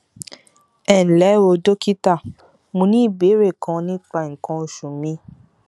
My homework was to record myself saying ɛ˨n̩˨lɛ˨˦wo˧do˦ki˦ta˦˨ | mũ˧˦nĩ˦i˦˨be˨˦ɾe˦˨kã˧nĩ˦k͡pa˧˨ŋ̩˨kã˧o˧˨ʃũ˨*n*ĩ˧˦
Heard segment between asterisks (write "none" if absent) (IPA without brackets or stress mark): m